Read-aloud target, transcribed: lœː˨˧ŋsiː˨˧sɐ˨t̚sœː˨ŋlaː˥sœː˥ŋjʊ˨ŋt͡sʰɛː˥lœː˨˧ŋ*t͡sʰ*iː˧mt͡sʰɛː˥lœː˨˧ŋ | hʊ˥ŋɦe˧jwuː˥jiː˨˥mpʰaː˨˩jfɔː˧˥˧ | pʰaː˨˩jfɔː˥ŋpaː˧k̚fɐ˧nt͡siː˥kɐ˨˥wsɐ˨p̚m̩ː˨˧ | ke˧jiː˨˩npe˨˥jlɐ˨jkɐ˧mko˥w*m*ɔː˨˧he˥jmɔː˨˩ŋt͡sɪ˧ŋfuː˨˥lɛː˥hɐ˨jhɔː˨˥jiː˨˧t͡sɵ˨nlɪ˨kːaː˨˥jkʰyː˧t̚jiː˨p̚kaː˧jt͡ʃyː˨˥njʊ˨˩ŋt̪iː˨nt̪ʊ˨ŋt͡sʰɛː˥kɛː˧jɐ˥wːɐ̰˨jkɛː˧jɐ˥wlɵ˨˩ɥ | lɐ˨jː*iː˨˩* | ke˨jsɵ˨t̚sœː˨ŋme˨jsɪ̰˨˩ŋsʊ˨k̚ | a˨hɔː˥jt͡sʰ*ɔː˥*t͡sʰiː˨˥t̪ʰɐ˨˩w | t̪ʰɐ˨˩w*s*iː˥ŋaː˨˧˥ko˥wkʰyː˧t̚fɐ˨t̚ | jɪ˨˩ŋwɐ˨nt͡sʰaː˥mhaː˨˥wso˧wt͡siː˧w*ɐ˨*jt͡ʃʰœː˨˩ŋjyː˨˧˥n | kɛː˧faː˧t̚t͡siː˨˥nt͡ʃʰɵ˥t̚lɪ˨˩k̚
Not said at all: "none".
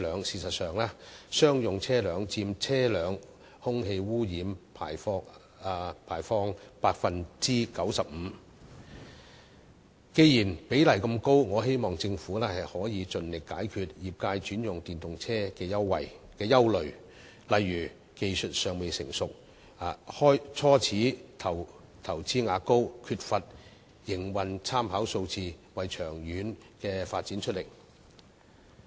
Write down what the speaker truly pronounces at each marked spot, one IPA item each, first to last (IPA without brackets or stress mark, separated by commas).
t͡s, ŋ, yː˨˩, ɔː˥, t͡s, ɐ˨